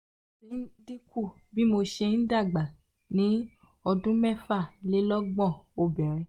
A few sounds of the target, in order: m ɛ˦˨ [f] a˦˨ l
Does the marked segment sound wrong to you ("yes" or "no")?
no